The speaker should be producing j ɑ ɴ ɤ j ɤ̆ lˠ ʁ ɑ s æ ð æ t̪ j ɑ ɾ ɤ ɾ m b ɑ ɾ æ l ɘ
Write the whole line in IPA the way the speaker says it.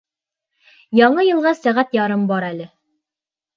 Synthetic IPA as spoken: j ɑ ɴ ɤ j ɤ̆ lˠ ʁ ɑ s æ ʁ æ t̪ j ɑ ɾ ɤ m b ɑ ɾ æ l ɘ